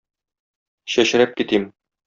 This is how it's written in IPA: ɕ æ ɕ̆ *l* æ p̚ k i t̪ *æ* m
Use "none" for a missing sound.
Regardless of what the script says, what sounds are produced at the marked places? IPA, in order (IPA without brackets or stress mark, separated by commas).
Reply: ɾ, i